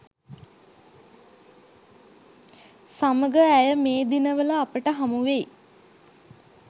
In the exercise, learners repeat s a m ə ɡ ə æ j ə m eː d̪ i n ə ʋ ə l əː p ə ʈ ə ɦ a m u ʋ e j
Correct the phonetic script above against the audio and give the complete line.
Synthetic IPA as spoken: s a m ə ɡ ə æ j ə m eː d̪ i n ə ʋ ə l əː p ə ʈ ə ɦ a m u ʋ e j